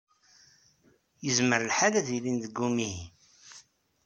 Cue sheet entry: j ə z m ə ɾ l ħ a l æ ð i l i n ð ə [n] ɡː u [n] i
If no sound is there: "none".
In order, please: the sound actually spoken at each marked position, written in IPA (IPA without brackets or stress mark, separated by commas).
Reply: none, m